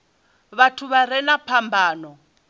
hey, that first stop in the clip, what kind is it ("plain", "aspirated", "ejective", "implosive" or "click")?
aspirated